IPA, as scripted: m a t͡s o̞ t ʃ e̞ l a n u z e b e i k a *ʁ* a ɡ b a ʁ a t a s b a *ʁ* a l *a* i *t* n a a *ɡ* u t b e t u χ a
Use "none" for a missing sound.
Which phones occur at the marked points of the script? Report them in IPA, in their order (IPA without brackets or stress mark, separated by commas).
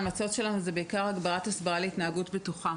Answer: ʁ, ʁ, e, t, ɡ